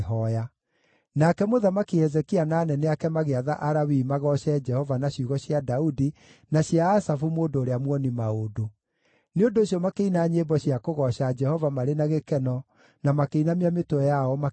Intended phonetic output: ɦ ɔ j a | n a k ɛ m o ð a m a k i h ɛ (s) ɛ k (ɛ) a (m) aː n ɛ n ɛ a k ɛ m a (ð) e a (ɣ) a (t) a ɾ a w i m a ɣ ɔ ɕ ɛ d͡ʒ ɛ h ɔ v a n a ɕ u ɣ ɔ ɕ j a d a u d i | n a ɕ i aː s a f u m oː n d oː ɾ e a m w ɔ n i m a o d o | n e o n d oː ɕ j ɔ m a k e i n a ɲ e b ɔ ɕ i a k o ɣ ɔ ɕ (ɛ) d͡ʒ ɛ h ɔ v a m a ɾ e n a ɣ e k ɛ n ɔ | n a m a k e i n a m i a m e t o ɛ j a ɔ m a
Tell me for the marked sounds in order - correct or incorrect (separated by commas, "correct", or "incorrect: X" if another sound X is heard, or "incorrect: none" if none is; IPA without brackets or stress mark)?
incorrect: z, incorrect: i, incorrect: n, incorrect: ɣ, incorrect: ð, incorrect: ʔ, incorrect: a